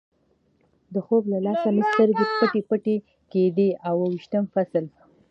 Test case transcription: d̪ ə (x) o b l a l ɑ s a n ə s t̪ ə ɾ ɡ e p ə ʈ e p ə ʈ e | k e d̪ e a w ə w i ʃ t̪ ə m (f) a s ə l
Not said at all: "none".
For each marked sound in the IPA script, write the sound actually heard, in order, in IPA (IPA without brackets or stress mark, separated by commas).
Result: x, f